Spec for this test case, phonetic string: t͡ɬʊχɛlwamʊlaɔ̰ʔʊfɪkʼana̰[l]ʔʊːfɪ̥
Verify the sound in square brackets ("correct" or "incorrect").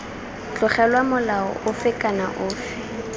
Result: incorrect